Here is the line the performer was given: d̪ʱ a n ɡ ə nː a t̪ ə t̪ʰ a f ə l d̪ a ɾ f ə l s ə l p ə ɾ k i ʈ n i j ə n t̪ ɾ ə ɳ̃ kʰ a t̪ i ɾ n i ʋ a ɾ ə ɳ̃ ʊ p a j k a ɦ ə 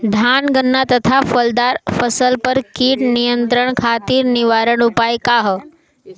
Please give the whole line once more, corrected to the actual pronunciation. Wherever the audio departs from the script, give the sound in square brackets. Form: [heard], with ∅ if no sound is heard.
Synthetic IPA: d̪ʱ a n ɡ ə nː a t̪ ə t̪ʰ a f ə l d̪ a ɾ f ə [∅] s ə l p ə ɾ k i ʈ n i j ə n t̪ ɾ ə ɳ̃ kʰ a t̪ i ɾ n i ʋ a ɾ ə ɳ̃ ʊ p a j k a ɦ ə